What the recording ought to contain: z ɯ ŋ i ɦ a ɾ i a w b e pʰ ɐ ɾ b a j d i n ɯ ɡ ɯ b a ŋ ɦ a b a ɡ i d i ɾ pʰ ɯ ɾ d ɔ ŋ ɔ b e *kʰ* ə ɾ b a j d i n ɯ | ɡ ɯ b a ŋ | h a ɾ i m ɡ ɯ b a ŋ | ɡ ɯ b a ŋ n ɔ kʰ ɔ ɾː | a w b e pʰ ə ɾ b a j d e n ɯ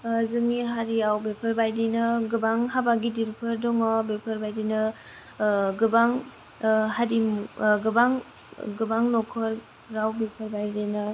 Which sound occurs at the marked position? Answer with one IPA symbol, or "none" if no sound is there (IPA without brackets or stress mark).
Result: pʰ